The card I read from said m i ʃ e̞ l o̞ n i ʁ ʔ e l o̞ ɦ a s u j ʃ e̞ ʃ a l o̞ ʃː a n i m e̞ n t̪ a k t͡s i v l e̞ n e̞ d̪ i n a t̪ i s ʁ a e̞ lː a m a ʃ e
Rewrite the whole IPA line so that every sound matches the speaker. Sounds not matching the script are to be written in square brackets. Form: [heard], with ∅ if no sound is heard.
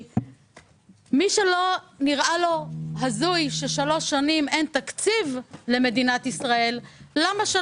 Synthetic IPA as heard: m i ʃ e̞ l o̞ n i ʁ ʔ [a] l o̞ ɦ a [z] u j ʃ e̞ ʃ a l o̞ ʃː a n i m e̞ n t̪ a k t͡s i v l e̞ [m] e̞ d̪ i n a t̪ i s ʁ a e̞ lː a m a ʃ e